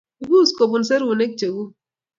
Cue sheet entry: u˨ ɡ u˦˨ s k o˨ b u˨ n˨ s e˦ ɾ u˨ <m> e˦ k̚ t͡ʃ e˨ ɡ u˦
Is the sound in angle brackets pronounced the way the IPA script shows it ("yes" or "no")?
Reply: no